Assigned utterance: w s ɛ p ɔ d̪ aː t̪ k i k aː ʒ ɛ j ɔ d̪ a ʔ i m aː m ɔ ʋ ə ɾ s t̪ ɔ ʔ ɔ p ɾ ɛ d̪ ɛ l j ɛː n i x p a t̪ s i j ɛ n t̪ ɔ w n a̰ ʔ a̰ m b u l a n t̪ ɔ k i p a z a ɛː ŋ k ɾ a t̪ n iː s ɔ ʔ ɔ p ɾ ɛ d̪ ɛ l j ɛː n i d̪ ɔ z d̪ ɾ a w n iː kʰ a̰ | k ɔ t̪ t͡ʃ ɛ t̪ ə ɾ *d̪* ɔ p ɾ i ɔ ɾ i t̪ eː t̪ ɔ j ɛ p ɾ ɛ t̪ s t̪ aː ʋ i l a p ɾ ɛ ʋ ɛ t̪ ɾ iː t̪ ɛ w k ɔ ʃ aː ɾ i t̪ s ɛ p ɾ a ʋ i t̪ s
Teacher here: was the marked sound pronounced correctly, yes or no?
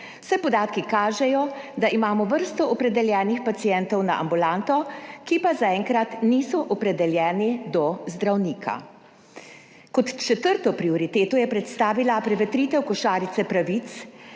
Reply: no